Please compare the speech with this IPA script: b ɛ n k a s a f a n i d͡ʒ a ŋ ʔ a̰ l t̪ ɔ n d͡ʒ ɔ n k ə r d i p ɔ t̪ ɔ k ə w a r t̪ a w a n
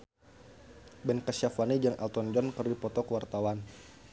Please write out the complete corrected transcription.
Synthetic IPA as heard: b ɛ n k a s a f a n i d͡ʒ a ŋ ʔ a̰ l t̪ ɔ n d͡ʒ ɔ n k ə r d i p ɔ t̪ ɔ k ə w a r t̪ a w a n